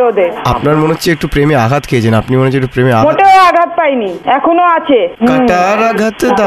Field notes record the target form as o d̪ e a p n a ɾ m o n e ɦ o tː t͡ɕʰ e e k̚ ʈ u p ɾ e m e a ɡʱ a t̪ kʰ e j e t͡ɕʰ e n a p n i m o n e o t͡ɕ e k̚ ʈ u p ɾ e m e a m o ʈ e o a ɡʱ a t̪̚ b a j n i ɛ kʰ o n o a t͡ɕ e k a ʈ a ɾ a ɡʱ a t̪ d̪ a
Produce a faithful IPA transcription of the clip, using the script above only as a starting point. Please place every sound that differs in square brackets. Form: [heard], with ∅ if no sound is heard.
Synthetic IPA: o d̪ e a p n a ɾ m o n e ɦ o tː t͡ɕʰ e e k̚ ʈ u p ɾ e m e a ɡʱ a t̪ kʰ e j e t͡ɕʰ e n a p n i m o n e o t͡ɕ e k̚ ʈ u p ɾ e m e a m o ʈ e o a ɡʱ a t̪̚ [p] a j n i ɛ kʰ o n o a [t͡ɕʰ] e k a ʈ a ɾ a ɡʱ a t̪ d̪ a